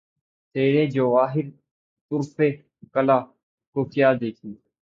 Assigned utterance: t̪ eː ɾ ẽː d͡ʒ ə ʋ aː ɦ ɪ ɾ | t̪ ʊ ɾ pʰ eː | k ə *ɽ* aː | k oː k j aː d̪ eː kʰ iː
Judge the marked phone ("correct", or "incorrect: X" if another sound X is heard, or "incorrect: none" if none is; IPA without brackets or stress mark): incorrect: l